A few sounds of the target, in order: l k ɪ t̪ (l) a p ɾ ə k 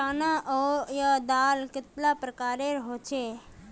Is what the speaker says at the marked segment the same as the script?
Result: yes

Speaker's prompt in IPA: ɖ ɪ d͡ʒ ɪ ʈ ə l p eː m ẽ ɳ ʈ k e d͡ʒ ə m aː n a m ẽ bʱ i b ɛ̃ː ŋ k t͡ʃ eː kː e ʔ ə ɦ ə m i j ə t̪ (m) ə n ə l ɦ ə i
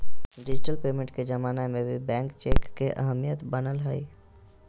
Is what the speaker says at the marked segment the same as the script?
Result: no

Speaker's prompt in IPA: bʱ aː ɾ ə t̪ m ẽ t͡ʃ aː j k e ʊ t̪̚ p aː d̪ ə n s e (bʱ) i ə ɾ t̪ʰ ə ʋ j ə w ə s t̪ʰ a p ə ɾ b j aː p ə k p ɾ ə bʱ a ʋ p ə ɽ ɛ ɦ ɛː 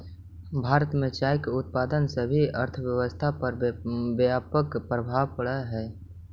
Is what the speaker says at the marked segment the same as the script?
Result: yes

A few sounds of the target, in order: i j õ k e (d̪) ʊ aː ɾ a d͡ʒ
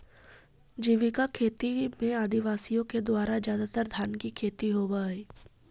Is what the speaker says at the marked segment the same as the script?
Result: yes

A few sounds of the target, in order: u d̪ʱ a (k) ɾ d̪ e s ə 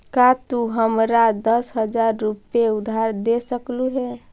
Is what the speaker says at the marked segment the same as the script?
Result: no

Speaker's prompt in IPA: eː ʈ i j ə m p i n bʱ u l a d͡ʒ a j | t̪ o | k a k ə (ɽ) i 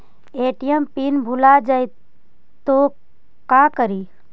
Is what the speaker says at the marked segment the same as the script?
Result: no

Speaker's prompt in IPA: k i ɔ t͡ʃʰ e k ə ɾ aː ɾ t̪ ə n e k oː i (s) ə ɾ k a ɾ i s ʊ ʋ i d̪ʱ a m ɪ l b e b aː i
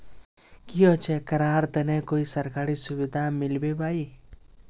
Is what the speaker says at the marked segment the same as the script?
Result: yes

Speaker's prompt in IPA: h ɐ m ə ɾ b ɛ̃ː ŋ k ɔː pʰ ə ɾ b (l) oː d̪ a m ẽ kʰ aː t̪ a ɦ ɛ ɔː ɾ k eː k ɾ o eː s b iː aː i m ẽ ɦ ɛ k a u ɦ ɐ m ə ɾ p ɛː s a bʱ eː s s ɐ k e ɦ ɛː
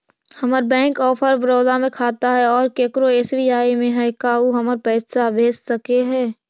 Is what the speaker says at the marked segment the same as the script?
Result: no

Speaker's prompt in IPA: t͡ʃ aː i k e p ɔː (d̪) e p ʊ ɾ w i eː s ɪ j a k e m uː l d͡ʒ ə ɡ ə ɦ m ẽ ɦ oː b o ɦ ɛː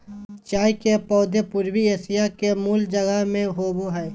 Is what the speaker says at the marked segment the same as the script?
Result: yes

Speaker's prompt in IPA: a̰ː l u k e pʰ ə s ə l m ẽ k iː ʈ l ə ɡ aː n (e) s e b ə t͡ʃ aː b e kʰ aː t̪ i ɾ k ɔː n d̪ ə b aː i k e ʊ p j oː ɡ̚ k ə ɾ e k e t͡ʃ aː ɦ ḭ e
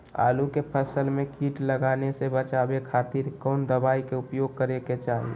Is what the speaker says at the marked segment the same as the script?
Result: yes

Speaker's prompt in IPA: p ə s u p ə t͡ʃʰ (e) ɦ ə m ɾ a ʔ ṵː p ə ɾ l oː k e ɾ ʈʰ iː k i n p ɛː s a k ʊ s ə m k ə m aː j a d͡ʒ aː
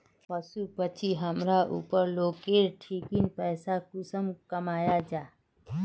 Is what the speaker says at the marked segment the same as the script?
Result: no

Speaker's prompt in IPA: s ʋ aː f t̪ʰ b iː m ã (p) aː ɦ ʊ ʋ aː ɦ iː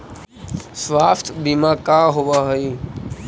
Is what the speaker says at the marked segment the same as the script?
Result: no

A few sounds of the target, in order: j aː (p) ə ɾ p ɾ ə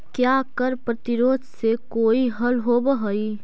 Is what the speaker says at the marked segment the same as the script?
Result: no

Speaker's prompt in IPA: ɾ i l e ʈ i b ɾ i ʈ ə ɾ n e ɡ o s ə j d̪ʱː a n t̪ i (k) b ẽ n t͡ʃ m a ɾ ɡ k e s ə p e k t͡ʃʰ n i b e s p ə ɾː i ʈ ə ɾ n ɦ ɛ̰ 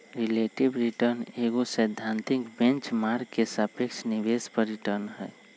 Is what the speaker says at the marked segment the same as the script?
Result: yes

